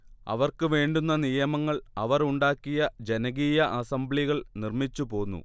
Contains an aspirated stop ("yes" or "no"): no